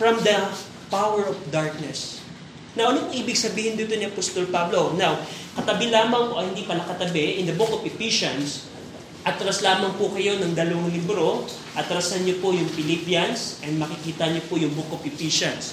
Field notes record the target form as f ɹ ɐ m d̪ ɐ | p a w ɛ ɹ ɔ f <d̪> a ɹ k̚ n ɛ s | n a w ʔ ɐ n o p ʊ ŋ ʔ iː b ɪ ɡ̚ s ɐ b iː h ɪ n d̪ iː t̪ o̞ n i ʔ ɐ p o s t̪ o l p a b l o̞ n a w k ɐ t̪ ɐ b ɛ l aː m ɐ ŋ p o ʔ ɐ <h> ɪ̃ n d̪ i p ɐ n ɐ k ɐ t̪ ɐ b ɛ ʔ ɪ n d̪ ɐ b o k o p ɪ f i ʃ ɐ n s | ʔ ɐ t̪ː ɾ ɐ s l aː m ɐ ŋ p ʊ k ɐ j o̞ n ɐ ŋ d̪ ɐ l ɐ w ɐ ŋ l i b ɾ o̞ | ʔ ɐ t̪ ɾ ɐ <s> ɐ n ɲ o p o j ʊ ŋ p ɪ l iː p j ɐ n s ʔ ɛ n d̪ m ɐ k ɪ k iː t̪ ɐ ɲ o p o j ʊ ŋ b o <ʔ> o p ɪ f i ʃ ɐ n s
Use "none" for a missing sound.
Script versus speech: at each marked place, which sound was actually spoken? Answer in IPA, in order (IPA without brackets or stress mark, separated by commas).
d̪, h, s, k